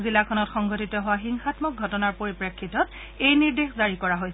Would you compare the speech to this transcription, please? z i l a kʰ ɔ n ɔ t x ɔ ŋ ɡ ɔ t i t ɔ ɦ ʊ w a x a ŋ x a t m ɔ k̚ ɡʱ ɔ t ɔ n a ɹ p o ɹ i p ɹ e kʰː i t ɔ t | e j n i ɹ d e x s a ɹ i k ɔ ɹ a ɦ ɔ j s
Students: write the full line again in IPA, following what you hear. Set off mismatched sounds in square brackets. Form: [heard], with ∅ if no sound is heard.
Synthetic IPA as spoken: z i l a kʰ ɔ n ɔ t x ɔ ŋ ɡ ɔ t i t ɔ ɦ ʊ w a x [i] ŋ x a t m ɔ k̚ ɡʱ ɔ t ɔ n a ɹ p o ɹ i p ɹ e kʰː i t ɔ t | e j n i ɹ d e x [z] a ɹ i k ɔ ɹ a ɦ [o] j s